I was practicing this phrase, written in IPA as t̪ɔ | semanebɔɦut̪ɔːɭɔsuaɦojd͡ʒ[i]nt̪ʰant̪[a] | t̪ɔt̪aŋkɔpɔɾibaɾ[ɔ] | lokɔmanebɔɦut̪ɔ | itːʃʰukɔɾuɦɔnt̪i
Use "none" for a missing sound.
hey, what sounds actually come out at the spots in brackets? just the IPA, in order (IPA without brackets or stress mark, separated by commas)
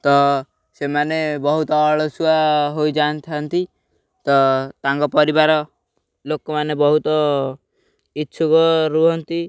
a, i, ɔ